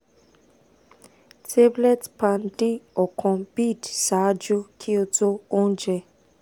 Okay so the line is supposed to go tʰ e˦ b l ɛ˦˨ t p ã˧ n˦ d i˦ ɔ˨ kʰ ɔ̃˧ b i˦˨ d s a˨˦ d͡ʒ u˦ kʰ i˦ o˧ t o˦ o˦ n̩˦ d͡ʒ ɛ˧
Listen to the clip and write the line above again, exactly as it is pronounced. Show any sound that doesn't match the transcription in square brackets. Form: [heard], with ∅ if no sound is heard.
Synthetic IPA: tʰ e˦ b l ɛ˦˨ t p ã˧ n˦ d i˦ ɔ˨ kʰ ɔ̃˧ b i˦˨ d s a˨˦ d͡ʒ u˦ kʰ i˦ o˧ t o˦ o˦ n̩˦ d͡ʒ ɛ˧